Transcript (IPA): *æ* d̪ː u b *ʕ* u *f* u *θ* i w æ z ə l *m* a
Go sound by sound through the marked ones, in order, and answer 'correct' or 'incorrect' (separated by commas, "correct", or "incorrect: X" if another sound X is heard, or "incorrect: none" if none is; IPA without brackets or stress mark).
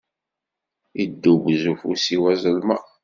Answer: incorrect: i, incorrect: z, correct, incorrect: s, correct